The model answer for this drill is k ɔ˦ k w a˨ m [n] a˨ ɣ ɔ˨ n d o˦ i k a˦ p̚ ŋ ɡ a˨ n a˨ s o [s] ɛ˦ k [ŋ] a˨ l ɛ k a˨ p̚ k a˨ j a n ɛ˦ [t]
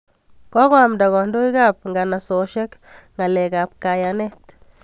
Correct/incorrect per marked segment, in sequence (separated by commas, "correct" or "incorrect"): incorrect, incorrect, correct, correct